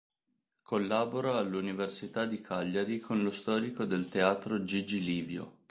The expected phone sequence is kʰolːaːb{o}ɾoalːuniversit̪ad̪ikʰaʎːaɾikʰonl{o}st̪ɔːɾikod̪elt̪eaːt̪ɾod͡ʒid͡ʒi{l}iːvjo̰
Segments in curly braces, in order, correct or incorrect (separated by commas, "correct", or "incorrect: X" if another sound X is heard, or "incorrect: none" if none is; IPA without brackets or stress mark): correct, correct, correct